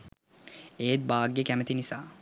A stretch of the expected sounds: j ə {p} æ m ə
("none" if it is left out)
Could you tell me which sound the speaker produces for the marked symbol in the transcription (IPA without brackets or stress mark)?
k